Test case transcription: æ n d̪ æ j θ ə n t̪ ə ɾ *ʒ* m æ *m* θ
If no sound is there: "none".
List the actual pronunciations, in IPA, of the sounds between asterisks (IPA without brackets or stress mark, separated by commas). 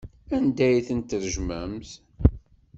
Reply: ʒ, m